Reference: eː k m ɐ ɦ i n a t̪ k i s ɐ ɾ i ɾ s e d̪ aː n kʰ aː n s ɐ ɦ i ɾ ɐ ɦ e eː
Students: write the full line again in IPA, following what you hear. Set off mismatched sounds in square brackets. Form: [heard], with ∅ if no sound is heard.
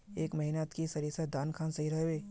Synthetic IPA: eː k m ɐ ɦ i n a t̪ k i s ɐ ɾ i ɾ s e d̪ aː n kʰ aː n s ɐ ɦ i ɾ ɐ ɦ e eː